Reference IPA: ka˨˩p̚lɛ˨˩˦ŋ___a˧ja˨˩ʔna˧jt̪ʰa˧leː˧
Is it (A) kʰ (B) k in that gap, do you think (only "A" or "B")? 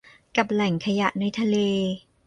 A